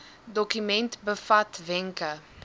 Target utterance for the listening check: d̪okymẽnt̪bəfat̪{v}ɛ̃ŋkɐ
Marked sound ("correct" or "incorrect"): correct